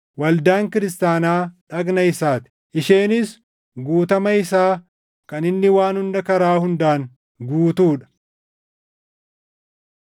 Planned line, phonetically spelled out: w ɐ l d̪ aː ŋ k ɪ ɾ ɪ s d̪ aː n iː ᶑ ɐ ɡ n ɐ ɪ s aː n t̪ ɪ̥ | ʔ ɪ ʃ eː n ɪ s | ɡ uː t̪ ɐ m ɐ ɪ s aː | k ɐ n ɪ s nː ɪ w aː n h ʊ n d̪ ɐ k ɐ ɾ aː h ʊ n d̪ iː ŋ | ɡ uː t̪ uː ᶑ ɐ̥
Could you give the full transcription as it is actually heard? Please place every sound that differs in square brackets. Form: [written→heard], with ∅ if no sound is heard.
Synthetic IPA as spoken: w ɐ l d̪ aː ŋ k ɪ ɾ ɪ s [d̪→t̪] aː n [iː→aː] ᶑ ɐ ɡ n ɐ ɪ s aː [n→∅] t̪ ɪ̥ | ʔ ɪ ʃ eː n ɪ s | ɡ uː t̪ ɐ m ɐ ɪ s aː | k ɐ n ɪ [s→∅] nː ɪ w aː n h ʊ n d̪ ɐ k ɐ ɾ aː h ʊ n d̪ [iː→aː] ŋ | ɡ uː t̪ uː ᶑ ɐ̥